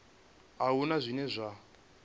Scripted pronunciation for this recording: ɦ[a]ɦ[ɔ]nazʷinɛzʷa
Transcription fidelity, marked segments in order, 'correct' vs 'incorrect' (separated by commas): correct, incorrect